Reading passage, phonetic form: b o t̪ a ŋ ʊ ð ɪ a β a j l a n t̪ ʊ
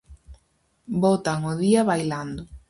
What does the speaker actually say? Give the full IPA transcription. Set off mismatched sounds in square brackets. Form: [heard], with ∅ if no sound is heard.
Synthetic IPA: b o t̪ a ŋ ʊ ð [i] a β a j l a n [d̪] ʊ